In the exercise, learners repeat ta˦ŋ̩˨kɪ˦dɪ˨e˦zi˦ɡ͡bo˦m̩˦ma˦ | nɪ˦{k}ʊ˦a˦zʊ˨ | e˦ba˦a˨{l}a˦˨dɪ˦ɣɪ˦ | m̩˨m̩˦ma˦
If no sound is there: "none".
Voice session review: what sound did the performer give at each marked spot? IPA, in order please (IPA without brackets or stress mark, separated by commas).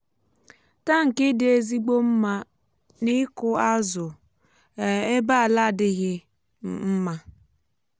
k, l